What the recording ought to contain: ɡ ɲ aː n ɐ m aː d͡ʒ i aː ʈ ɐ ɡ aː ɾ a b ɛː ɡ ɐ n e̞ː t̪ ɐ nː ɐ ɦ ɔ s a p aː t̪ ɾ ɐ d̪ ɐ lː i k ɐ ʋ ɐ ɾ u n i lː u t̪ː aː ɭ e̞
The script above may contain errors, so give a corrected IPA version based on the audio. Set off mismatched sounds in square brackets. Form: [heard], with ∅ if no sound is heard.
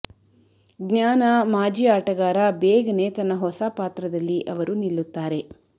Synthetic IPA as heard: ɡ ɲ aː n ɐ m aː d͡ʒ i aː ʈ ɐ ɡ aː ɾ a b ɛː ɡ ɐ n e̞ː t̪ ɐ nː ɐ ɦ ɔ s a p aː t̪ ɾ ɐ d̪ ɐ lː i [ʔ] ɐ ʋ ɐ ɾ u n i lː u t̪ː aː [ɾ] e̞